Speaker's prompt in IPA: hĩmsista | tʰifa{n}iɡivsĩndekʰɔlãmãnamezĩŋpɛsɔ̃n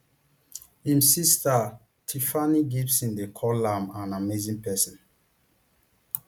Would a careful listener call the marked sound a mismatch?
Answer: no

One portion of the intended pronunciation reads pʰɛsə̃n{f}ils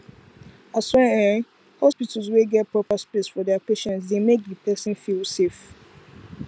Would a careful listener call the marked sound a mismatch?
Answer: no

